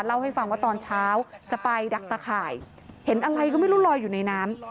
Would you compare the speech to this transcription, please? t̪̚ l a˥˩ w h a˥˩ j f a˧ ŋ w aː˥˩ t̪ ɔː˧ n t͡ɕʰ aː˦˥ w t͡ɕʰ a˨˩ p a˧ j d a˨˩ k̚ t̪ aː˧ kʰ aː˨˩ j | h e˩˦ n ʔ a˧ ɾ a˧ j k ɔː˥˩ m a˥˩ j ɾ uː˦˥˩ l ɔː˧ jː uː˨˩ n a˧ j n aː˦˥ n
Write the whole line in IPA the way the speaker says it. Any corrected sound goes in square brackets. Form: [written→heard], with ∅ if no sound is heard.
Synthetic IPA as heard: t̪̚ l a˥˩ w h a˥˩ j f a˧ ŋ w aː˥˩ t̪ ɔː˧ n t͡ɕʰ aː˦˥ w [t͡ɕʰ→t͡ɕ] a˨˩ p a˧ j d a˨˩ k̚ t̪ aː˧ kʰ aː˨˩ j | h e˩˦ n ʔ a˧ ɾ a˧ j k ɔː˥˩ m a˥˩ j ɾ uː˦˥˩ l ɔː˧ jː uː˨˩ n a˧ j n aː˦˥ [n→m]